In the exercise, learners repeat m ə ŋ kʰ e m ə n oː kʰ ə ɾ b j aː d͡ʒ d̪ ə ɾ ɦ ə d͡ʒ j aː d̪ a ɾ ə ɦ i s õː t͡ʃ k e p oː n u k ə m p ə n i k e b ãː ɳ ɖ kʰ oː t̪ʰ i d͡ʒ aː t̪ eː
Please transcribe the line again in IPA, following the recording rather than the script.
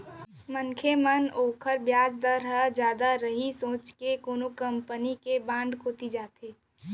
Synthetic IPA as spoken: m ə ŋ kʰ e m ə n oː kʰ ə ɾ b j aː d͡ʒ d̪ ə ɾ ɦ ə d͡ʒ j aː d̪ a ɾ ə ɦ i s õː t͡ʃ k e k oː n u k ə m p ə n i k e b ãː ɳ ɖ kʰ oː t̪ i d͡ʒ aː t̪ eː